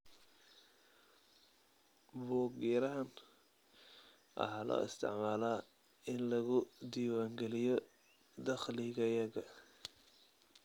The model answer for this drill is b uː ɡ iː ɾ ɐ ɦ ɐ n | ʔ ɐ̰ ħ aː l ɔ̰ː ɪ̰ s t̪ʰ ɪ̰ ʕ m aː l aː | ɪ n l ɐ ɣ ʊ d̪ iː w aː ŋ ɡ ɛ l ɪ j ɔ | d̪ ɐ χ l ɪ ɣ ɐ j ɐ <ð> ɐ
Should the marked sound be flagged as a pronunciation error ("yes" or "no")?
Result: yes